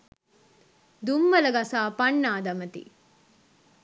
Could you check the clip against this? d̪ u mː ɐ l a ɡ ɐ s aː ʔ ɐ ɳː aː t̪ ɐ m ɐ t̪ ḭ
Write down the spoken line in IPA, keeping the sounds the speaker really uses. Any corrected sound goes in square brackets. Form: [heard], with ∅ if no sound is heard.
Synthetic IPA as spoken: d̪ u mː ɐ l [ɐ] ɡ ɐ s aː [p] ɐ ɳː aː [d̪] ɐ m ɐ t̪ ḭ